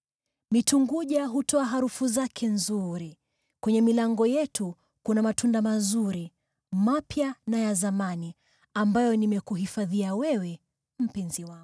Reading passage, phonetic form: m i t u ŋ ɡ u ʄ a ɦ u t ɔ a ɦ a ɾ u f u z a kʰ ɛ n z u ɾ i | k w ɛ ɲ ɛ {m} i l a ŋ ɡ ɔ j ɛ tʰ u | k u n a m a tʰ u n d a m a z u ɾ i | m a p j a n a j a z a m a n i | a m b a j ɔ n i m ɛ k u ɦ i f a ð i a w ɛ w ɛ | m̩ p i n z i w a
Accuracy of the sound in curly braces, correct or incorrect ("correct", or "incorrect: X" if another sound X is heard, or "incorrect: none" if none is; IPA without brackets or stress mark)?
correct